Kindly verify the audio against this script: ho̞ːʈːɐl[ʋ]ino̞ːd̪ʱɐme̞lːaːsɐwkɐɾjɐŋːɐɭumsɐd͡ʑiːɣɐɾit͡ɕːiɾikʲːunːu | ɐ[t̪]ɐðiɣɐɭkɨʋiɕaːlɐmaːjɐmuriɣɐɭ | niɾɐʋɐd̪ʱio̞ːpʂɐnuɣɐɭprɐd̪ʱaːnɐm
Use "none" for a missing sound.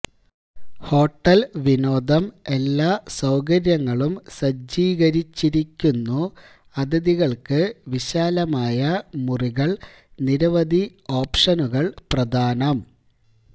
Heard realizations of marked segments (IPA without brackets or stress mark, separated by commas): ʋ, d̪